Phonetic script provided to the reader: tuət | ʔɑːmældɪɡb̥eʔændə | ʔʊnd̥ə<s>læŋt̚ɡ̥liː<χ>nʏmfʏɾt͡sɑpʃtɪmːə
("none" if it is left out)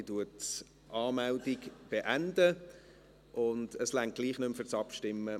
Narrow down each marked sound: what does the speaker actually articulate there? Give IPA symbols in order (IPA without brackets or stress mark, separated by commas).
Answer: s, χ